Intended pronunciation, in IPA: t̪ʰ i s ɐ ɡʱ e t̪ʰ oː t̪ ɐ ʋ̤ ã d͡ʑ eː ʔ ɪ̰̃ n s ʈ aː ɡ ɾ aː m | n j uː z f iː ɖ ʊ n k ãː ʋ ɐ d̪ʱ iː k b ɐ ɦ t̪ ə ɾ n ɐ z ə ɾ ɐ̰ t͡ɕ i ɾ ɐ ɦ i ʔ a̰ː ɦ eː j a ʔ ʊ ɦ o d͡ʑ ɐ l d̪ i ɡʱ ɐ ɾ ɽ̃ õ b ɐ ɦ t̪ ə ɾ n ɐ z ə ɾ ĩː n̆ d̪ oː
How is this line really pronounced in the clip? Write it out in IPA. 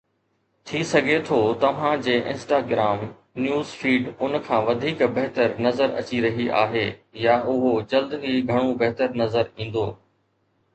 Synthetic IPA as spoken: t̪ʰ i s ɐ ɡʱ e t̪ʰ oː t̪ ɐ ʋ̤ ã d͡ʑ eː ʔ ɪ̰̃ n s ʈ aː ɡ ɾ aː m | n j uː z f iː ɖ ʊ n kʰ ãː ʋ ɐ d̪ʱ iː k b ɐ ɦ t̪ ə ɾ n ɐ z ə ɾ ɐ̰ t͡ɕ i ɾ ɐ ɦ i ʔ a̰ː ɦ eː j a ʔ ʊ ɦ o d͡ʑ ɐ l d̪ i ɡʱ ɐ ɽ̃ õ b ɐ ɦ t̪ ə ɾ n ɐ z ə ɾ ĩː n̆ d̪ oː